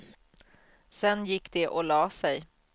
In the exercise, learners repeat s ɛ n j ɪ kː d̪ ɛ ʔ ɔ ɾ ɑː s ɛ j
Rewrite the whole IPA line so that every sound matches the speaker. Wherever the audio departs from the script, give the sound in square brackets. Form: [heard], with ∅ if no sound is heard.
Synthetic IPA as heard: s ɛ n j ɪ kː d̪ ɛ ʔ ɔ [l] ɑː s ɛ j